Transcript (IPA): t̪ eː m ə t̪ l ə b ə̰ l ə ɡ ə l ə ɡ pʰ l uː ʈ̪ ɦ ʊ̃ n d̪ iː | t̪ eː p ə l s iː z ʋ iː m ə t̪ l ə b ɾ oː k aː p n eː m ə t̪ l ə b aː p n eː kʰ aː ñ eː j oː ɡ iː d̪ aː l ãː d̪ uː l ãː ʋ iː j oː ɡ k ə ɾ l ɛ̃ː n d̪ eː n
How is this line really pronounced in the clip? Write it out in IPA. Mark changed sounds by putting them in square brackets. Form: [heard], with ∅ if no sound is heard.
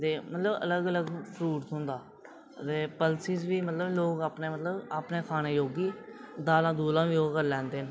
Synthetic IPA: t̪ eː m ə t̪ l ə b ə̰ l ə ɡ ə l ə ɡ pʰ [ɾ] uː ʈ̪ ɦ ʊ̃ n d̪ [aː] | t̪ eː p ə l s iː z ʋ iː m ə t̪ l ə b [l] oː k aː p n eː m ə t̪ l ə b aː p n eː kʰ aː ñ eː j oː ɡ iː d̪ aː l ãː d̪ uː l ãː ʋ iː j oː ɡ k ə ɾ l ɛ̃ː n d̪ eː n